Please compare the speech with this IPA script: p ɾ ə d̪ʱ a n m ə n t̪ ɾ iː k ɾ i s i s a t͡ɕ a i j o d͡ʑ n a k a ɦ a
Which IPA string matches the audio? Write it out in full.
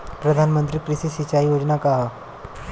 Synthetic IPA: p ɾ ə d̪ʱ a n m ə n t̪ ɾ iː k ɾ i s i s i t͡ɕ a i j o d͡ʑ n a k a ɦ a